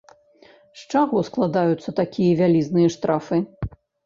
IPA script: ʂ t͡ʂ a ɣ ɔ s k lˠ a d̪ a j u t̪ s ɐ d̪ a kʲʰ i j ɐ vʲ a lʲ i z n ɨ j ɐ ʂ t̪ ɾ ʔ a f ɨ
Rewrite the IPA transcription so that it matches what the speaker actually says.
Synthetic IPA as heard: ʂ t͡ʂ a ɣ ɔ s k lˠ a d̪ a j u t̪ sː ɐ t̪ a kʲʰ i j ɐ vʲ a lʲ i z n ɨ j ɐ ʂ t̪ ɾ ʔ a f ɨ